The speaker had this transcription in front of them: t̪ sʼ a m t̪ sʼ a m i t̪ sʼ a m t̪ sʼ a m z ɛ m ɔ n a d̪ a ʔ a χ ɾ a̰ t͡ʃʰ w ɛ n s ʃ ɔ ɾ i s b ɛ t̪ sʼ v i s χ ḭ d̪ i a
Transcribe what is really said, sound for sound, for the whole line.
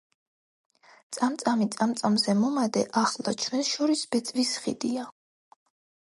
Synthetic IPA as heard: t̪ sʼ a m t̪ sʼ a m i t̪ sʼ a m t̪ sʼ a m z ɛ m ɔ m a d̪ ɛ ʔ a χ l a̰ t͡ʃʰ w ɛ n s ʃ ɔ ɾ i s b ɛ t̪ sʼ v i s χ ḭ d̪ i a